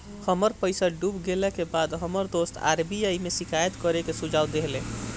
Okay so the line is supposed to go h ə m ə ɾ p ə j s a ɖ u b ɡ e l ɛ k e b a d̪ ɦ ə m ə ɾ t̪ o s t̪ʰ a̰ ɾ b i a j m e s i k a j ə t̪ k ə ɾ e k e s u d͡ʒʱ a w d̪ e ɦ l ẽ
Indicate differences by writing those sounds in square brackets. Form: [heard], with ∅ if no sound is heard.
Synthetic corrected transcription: h ə m ə ɾ p ə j s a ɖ u b ɡ e l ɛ k e b a d̪ ɦ ə m ə ɾ [d̪] o s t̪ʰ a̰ ɾ b i a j m e s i k a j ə t̪ k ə ɾ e k e s u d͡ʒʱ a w d̪ e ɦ l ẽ